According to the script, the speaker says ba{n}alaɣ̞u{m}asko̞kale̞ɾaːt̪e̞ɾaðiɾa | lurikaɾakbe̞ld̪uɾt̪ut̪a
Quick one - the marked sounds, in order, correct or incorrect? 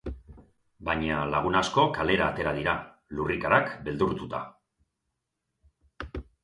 incorrect: ɲ, incorrect: n

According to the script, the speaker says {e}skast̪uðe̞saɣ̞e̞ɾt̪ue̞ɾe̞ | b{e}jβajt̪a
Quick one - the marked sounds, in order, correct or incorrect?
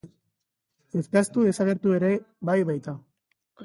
correct, incorrect: a

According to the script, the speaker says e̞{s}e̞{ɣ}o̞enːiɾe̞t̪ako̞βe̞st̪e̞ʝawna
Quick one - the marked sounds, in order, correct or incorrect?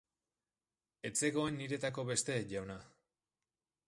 incorrect: t͡s, correct

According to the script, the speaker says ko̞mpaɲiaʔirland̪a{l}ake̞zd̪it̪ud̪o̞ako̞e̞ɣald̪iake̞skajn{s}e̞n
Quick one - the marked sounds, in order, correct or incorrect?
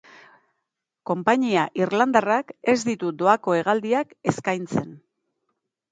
incorrect: r, incorrect: t͡s

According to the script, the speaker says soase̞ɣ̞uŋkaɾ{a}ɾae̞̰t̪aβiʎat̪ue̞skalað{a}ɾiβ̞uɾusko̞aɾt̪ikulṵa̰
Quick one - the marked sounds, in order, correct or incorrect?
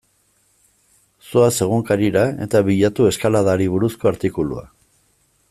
incorrect: i, correct

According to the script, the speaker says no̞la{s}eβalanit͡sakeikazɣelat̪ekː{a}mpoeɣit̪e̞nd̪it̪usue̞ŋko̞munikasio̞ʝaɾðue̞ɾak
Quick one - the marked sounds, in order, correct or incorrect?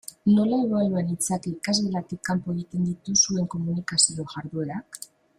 incorrect: none, correct

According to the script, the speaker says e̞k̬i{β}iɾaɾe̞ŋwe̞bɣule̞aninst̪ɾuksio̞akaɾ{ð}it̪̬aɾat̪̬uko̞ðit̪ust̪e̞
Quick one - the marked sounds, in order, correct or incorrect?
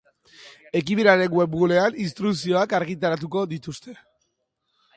correct, incorrect: ɣ

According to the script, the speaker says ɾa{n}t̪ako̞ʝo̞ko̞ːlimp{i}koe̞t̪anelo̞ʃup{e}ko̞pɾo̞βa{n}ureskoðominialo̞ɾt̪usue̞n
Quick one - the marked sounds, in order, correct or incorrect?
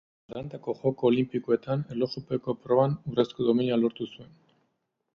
correct, correct, correct, correct

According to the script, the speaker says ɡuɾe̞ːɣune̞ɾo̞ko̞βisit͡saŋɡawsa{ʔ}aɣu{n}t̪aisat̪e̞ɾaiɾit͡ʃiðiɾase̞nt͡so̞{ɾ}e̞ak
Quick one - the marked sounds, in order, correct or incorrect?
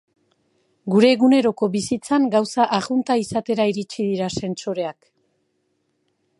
correct, correct, correct

